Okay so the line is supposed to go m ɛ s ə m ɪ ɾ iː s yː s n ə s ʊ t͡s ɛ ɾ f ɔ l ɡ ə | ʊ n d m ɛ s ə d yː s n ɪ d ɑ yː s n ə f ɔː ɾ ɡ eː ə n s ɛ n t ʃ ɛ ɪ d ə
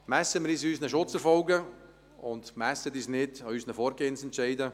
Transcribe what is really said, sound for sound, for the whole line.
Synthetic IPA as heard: m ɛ s ə m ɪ ɾ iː s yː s n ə ʃ ʊ t͡s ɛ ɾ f ɔ l ɡ ə | ʊ n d m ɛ s ə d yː s n ɪ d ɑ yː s n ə f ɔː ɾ ɡ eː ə n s ɛ n t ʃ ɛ ɪ d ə